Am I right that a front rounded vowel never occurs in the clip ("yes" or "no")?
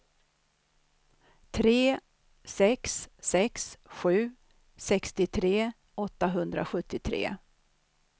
yes